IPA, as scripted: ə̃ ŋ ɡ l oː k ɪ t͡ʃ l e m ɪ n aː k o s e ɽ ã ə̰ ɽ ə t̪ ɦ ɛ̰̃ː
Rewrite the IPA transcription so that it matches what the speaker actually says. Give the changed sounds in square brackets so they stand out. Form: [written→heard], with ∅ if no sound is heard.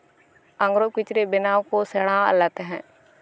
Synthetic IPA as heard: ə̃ ŋ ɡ [l→ɾ] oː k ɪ t͡ʃ [l→ɾ] e [m→b] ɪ n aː k o s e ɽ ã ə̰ [ɽ→l] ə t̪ ɦ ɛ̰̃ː

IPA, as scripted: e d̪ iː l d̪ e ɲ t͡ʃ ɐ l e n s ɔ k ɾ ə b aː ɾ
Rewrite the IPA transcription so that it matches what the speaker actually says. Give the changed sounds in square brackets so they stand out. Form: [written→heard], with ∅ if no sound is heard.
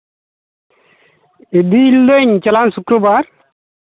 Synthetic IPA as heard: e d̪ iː l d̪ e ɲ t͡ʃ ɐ l [e→a] n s [ɔ→u] k ɾ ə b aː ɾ

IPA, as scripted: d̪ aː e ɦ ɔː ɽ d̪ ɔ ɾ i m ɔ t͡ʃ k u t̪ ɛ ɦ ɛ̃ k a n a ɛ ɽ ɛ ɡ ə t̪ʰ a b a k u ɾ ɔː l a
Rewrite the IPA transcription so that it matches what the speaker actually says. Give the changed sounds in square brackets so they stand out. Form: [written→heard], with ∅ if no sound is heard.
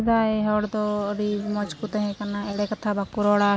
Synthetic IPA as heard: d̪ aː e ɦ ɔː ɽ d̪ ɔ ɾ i m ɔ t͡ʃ k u t̪ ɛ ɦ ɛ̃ k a n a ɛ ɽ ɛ [ɡ→k] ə t̪ʰ a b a k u ɾ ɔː [l→ɽ] a

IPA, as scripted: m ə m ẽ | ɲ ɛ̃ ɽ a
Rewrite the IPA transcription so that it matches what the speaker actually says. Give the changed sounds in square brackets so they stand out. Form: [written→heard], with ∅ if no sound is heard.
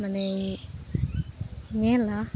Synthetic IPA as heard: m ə [m→n] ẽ | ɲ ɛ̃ [ɽ→l] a

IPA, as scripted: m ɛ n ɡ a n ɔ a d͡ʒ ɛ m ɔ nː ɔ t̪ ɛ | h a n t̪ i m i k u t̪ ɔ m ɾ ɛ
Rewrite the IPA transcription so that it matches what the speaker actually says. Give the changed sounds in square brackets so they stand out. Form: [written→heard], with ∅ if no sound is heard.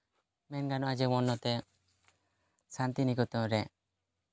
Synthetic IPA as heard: m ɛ n ɡ a n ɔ a d͡ʒ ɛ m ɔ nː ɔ t̪ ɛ | [h→s] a n t̪ i [m→n] i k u t̪ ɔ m ɾ ɛ

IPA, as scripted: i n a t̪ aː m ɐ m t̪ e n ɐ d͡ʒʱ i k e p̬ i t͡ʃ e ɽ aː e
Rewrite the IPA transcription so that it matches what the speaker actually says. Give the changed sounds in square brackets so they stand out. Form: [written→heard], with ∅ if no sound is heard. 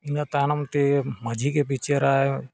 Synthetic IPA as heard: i n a t̪ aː [m→n] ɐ m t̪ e [n→m] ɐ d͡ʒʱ i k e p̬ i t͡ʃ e [ɽ→ɾ] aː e

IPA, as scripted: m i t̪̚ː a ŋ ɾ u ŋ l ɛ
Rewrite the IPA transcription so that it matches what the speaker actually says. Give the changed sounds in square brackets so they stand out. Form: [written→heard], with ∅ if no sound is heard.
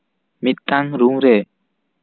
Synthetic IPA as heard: m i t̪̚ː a ŋ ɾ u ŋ [l→ɾ] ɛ

